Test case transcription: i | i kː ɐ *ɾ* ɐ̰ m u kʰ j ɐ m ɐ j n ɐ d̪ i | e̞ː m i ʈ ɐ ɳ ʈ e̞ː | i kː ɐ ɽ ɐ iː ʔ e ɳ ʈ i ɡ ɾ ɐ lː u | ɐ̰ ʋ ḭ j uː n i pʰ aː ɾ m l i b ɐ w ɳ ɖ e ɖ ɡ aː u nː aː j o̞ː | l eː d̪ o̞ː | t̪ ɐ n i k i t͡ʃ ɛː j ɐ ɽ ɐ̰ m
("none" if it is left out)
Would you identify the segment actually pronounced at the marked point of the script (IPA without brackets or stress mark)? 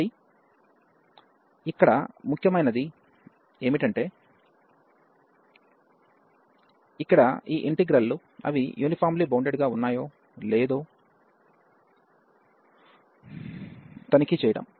ɽ